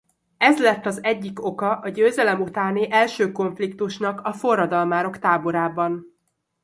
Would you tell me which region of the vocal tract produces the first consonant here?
tongue tip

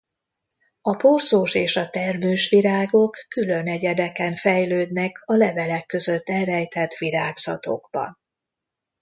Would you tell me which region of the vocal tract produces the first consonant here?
lips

